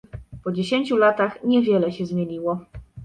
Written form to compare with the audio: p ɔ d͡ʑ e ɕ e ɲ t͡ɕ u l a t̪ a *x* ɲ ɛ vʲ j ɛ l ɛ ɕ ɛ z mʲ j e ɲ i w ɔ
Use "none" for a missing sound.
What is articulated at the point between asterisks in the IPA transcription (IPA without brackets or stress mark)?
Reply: x